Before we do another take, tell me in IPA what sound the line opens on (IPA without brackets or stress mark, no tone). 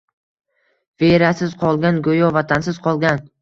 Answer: v